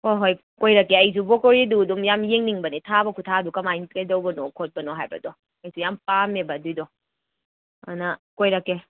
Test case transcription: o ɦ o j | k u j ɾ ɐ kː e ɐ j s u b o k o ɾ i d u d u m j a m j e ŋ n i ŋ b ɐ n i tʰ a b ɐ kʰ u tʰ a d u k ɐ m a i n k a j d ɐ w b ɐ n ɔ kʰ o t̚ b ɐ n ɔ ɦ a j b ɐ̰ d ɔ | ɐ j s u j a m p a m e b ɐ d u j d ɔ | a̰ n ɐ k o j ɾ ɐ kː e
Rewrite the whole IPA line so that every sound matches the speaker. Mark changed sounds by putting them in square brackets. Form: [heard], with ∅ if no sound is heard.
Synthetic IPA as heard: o ɦ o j | k [o] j ɾ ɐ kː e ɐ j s u b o k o ɾ i d u d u m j a m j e ŋ n i ŋ b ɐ n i tʰ a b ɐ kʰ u tʰ a d u k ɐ m a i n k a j d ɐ w b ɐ n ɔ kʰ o t̚ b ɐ n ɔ ɦ a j b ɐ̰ d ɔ | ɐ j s u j a m p a m e b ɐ d u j d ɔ | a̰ n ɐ k o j ɾ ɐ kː e